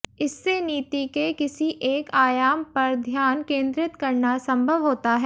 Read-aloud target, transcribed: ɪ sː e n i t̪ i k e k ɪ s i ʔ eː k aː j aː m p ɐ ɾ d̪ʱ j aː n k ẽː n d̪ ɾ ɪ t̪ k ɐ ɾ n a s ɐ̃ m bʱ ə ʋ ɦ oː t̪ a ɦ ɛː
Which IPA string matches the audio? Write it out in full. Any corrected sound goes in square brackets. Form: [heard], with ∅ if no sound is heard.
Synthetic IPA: ɪ sː e n [iː] t̪ i k e k ɪ s i ʔ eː k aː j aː m p ɐ ɾ d̪ʱ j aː n k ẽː n d̪ ɾ ɪ t̪ k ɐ ɾ n a s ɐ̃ m bʱ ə ʋ ɦ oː t̪ a ɦ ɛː